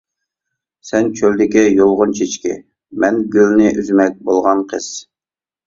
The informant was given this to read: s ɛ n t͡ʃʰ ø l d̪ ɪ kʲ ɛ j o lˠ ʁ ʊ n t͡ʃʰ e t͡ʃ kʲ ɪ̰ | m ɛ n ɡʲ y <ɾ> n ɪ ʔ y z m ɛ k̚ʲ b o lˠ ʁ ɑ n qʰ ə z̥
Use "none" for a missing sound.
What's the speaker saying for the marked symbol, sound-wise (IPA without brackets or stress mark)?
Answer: l